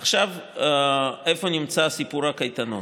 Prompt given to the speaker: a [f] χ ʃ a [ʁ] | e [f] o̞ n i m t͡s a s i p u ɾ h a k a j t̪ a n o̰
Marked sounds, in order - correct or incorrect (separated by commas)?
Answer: incorrect, incorrect, correct